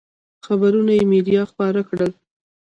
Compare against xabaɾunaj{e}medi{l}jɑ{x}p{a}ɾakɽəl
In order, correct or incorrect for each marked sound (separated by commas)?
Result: correct, incorrect, correct, incorrect